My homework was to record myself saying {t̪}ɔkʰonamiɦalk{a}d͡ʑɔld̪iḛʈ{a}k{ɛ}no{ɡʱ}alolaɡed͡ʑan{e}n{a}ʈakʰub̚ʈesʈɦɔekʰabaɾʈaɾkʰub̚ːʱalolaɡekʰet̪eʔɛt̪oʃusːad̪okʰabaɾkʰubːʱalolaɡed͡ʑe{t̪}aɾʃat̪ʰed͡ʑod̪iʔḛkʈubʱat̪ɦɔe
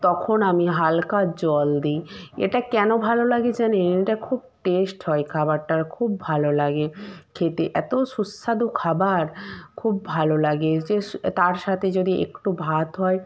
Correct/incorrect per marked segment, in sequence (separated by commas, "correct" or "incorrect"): correct, correct, correct, correct, incorrect, correct, incorrect, correct